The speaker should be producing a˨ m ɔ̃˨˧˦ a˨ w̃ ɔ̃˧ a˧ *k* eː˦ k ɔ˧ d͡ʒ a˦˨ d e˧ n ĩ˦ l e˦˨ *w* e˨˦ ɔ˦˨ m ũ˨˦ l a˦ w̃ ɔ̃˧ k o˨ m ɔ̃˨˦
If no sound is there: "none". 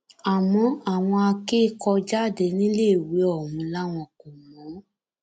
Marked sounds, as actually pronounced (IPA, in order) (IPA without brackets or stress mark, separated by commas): k, w